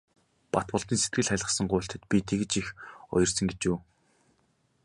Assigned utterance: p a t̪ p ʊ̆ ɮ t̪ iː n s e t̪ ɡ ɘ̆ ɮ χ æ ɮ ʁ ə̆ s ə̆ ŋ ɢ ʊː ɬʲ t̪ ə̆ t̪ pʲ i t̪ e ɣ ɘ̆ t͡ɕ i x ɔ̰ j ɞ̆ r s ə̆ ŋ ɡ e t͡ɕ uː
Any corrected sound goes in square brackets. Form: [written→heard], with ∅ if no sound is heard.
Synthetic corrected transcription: p a t̪ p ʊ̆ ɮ t̪ iː n s e t̪ ɡ ɘ̆ ɮ χ æ ɮ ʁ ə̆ s ə̆ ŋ ɢ ʊː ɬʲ t̪ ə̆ t̪ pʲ i [t̪→t̪ʰ] e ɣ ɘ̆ t͡ɕ i x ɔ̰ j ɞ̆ r s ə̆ ŋ ɡ e t͡ɕ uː

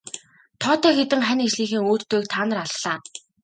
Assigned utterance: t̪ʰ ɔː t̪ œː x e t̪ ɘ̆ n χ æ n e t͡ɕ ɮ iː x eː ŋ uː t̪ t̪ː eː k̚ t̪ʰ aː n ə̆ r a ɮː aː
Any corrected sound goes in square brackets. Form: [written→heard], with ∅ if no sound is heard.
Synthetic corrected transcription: t̪ʰ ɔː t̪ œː x e t̪ ɘ̆ [n→ŋ] χ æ n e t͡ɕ ɮ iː x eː ŋ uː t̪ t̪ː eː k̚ t̪ʰ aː n ə̆ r a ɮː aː

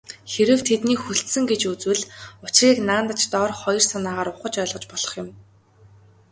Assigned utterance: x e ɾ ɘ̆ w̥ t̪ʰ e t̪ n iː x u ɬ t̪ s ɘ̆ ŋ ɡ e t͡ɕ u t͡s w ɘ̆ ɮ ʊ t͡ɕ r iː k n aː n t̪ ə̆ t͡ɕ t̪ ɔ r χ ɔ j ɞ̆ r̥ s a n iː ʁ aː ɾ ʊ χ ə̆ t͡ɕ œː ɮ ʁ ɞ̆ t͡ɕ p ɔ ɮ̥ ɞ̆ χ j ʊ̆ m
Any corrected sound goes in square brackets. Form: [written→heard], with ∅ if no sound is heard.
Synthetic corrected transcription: x e ɾ ɘ̆ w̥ t̪ʰ e t̪ n iː x u ɬ t̪ s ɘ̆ ŋ ɡ e t͡ɕ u t͡s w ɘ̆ ɮ ʊ t͡ɕ r iː k n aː n t̪ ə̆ t͡ɕ t̪ ɔ r χ ɔ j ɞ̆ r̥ s a n [iː→aː] ʁ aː ɾ ʊ χ ə̆ t͡ɕ œː ɮ ʁ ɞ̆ t͡ɕ p ɔ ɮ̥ ɞ̆ χ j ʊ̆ m

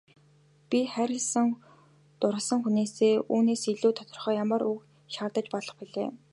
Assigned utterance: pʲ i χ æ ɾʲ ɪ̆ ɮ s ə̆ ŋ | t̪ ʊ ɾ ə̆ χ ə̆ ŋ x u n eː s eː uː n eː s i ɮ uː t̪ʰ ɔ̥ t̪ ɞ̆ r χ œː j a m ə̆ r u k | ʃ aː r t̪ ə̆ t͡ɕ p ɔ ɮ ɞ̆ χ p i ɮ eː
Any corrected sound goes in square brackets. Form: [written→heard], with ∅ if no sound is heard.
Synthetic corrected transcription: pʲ i χ æ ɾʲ ɪ̆ ɮ s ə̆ ŋ | t̪ ʊ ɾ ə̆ [χ→s] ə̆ ŋ x u n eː s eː uː n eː s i ɮ uː t̪ʰ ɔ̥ t̪ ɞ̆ r χ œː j a m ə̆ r u k | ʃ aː r t̪ ə̆ t͡ɕ p ɔ ɮ ɞ̆ χ p i ɮ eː

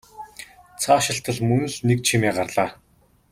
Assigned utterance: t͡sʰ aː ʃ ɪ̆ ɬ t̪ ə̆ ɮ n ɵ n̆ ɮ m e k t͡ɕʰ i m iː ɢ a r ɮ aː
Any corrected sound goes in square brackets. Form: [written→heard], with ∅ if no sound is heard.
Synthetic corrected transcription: t͡sʰ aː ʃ ɪ̆ ɬ t̪ ə̆ ɮ [n→m] ɵ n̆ ɮ [m→n] e k t͡ɕʰ i m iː ɢ a r ɮ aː

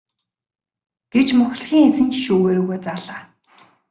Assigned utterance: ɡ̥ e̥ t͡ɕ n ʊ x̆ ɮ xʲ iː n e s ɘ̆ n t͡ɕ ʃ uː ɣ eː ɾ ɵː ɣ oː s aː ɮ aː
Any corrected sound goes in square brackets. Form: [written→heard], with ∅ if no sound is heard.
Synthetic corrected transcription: ɡ̥ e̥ t͡ɕ [n→m] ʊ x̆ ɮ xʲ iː [n→ŋ] e [s→t͡s] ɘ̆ n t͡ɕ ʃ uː ɣ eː ɾ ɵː ɣ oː [s→t͡s] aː ɮ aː

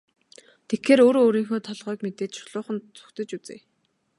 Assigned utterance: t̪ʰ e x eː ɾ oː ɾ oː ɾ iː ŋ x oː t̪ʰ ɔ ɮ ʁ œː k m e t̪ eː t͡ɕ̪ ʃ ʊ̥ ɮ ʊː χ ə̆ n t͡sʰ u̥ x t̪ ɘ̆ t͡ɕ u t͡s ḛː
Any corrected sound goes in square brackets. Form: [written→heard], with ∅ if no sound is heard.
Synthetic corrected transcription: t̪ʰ e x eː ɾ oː ɾ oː ɾ iː ŋ x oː t̪ʰ ɔ ɮ ʁ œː k m e t̪ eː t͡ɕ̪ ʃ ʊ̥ ɮ ʊː χ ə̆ n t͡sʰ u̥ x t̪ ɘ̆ t͡ɕ u t͡s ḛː

